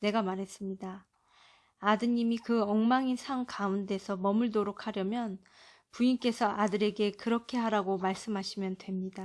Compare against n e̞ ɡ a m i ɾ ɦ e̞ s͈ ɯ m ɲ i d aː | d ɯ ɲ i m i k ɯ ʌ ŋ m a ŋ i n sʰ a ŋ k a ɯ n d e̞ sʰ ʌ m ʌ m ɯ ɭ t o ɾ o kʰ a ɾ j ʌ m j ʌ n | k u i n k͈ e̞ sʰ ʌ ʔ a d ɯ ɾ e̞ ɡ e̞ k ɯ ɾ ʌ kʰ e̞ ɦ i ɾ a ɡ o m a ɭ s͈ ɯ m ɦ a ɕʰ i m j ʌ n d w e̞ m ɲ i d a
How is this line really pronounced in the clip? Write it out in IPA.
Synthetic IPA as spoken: n e̞ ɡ a m a ɾ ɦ e̞ s͈ ɯ m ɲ i d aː | d ɯ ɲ i m i k ɯ ʌ ŋ m a ŋ i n sʰ a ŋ k a u n d e̞ sʰ ʌ m ʌ m ɯ ɭ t o ɾ o kʰ a ɾ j ʌ m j ʌ n | p u i n k͈ e̞ sʰ ʌ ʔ a d ɯ ɾ e̞ ɡ e̞ k ɯ ɾ ʌ kʰ e̞ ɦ a ɾ a ɡ o m a ɭ s͈ ɯ m ɦ a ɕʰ i m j ʌ n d w e̞ m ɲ i d a